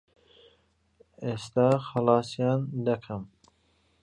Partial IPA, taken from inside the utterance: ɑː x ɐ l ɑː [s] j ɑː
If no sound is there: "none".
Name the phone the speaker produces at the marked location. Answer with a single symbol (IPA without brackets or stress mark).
s